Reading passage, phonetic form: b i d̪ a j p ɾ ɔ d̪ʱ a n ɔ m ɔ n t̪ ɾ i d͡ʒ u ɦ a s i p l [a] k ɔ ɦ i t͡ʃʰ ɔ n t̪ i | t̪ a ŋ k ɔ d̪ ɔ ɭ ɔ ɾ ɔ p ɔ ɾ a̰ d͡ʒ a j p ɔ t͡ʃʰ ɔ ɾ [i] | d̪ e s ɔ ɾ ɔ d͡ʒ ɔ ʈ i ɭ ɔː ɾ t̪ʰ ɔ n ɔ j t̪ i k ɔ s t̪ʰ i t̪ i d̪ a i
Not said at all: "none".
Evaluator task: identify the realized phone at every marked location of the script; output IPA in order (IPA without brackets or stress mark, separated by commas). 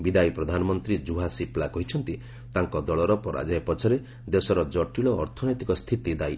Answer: a, e